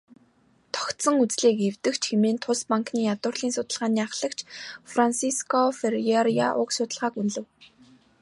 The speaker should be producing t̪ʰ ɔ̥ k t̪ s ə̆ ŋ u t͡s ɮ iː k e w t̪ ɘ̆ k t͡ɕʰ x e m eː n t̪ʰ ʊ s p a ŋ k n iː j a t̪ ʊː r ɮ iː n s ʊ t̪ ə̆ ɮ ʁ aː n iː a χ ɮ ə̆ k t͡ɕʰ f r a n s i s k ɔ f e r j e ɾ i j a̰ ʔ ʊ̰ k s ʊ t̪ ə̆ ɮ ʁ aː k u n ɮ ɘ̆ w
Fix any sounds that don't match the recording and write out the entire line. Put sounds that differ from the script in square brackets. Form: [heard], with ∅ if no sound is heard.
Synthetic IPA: t̪ʰ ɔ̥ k t̪ s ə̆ ŋ u t͡s ɮ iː k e w t̪ ɘ̆ k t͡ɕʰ x e m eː n t̪ʰ ʊ s p a ŋ k n iː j a t̪ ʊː r ɮ iː n s ʊ t̪ ə̆ ɮ ʁ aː n iː a χ ɮ ə̆ k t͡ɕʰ f r a n s i s k ɔ f e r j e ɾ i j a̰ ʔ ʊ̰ k s ʊ t̪ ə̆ ɮ ʁ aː k u n ɮ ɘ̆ w